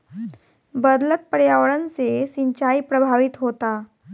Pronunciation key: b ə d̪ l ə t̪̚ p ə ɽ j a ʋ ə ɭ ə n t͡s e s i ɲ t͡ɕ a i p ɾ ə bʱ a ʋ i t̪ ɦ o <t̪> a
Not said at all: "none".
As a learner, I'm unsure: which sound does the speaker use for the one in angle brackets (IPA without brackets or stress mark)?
t̪